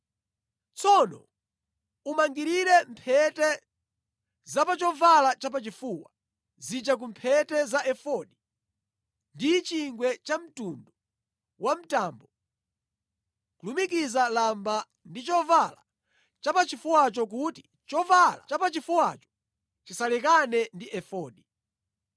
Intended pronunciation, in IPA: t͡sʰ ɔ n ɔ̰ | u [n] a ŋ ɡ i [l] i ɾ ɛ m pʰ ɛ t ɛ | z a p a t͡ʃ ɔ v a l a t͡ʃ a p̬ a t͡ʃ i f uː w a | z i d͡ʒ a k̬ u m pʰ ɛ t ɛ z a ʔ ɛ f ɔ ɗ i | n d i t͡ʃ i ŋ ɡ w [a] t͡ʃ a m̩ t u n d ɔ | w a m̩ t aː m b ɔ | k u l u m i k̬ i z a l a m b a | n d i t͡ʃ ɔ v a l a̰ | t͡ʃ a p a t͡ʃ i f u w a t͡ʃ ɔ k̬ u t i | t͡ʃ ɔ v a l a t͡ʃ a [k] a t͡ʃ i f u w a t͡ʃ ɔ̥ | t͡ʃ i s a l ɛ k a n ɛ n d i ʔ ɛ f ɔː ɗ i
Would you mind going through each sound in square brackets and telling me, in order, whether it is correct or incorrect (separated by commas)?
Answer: incorrect, incorrect, incorrect, incorrect